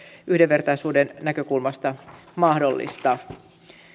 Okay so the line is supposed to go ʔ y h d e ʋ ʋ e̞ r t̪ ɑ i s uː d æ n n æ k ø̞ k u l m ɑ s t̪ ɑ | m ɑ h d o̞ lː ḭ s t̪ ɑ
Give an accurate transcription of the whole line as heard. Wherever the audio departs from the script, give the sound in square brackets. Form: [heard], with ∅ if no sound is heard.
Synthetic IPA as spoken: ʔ y h d e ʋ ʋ e̞ r t̪ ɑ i s uː d [e] n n æ k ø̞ k u l m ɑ s t̪ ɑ | m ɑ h d o̞ lː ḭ s t̪ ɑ